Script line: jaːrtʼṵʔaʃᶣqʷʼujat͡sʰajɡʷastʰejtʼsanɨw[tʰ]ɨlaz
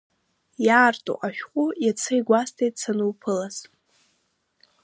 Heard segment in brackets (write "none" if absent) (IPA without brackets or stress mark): pʰ